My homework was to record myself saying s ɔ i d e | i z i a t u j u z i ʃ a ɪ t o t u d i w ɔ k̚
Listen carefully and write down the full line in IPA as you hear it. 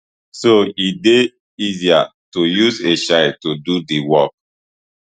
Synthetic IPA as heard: s o i d e | i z i a t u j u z e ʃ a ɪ t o d u d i w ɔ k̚

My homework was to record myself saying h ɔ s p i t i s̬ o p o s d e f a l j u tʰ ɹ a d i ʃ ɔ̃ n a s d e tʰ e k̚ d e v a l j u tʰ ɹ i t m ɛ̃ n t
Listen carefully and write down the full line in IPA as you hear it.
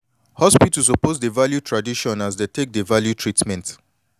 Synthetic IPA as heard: h ɔ s p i t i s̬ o p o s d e v a l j u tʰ ɹ a d i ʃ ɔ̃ n a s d e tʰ e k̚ d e v a l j u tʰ ɹ i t m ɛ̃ n t

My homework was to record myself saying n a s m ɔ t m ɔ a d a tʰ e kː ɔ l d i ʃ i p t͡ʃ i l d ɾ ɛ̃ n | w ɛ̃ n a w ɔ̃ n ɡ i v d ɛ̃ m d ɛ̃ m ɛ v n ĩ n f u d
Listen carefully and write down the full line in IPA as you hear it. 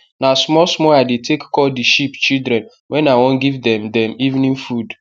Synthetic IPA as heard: n a s m ɔ s m ɔ a d e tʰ e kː ɔ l d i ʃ i p t͡ʃ i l d ɾ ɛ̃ n | w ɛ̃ n a w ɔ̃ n ɡ i v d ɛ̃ m d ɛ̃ m i v n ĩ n f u d

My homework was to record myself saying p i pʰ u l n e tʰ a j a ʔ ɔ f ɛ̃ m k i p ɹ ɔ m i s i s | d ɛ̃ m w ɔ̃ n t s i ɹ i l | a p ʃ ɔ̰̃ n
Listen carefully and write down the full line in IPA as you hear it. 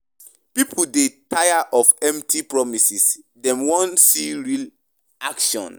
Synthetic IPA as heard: p i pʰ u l d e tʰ a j a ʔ ɔ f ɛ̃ m t i p ɹ ɔ m i s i s | d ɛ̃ m w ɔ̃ n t s i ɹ i l | a k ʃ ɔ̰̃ n

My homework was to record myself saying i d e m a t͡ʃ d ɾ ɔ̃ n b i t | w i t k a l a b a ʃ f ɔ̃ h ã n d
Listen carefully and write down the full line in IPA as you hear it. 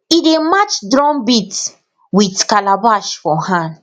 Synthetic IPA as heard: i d e m a t͡ʃ d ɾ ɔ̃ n b i t | w i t k a l a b a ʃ f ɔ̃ h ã n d

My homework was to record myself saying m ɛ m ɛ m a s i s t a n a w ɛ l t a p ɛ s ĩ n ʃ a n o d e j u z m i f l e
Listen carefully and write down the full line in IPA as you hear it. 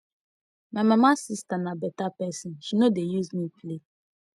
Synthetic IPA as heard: m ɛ m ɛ m a s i s t a n a b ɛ t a p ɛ s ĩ n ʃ i n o d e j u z m i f l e

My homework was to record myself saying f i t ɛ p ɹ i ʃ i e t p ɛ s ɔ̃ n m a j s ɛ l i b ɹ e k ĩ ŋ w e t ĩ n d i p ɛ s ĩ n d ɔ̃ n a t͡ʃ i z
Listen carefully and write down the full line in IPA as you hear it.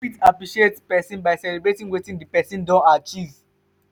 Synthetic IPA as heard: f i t a p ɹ i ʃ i e t p ɛ s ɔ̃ n b a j s ɛ l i b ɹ e t ĩ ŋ w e t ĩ n d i p ɛ s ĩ n d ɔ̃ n a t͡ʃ i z

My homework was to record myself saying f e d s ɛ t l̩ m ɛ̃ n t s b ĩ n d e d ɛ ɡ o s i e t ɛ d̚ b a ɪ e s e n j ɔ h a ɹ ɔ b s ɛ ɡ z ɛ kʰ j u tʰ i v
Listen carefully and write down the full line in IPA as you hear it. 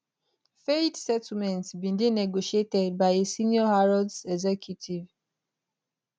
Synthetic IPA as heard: f e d s ɛ t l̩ m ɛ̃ n t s b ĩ n d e n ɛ ɡ o ʃ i e t ɛ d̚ b a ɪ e s i n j ɔ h a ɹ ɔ d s ɛ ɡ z ɛ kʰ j u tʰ i v

